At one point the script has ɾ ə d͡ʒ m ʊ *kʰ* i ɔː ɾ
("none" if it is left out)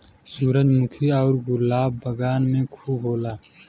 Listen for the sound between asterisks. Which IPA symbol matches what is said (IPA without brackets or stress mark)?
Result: kʰ